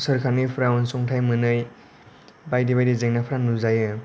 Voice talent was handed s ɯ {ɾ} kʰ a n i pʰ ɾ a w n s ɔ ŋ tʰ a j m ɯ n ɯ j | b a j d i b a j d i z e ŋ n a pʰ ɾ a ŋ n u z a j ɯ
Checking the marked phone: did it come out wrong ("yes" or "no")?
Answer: no